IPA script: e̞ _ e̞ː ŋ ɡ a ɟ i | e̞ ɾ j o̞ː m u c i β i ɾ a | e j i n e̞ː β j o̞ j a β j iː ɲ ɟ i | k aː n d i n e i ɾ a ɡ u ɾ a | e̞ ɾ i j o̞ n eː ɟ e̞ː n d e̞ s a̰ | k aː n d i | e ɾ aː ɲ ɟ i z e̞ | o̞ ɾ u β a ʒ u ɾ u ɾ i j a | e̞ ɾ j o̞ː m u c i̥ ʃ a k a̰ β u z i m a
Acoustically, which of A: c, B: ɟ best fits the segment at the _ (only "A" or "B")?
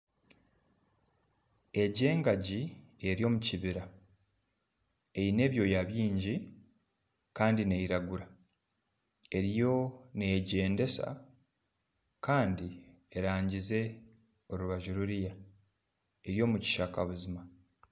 B